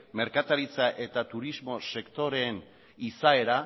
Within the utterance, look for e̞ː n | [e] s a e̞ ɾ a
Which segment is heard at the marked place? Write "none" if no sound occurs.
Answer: i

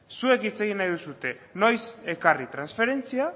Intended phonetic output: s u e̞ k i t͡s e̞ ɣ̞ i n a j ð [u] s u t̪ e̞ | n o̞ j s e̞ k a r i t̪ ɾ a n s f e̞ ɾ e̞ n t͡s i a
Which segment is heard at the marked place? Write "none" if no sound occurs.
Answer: u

